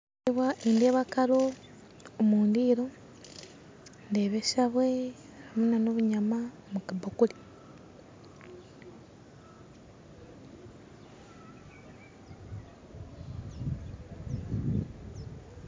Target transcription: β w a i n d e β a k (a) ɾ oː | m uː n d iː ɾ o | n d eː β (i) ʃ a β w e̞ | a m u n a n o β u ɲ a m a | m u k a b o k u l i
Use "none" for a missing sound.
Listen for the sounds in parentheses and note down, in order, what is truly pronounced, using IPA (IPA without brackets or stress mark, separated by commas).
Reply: a, e